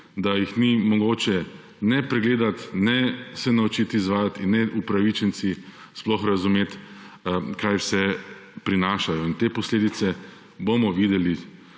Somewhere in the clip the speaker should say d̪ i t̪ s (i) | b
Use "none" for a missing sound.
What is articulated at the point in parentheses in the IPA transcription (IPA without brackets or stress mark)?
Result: ɛ